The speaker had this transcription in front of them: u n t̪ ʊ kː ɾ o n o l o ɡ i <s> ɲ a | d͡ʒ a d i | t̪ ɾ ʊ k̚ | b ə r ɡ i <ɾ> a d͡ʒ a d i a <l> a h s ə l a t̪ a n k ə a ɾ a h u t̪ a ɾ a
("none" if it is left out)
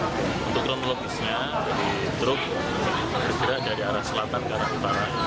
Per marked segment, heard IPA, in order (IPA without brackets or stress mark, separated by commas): s, ɾ, ɾ